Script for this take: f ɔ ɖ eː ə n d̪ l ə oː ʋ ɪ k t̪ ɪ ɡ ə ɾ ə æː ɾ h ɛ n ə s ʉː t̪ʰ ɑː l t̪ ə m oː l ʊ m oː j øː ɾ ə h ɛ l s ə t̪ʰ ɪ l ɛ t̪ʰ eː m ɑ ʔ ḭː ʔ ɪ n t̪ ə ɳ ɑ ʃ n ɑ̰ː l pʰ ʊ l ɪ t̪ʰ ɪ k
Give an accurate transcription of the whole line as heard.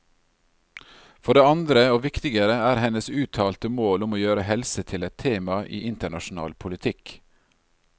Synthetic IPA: f ɔ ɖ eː ɑ n d̪ ɾ ə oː ʋ ɪ k t̪ ɪ ɡ ə ɾ ə æː ɾ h ɛ n ə s ʉː t̪ʰ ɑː l t̪ ə m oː l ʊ m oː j øː ɾ ə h ɛ l s ə t̪ʰ ɪ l ɛ t̪ʰ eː m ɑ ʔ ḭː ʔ ɪ n t̪ ə ɳ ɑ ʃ n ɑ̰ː l pʰ ʊ l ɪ t̪ʰ ɪ k